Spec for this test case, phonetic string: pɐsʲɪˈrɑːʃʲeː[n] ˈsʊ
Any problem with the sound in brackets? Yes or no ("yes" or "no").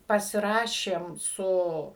yes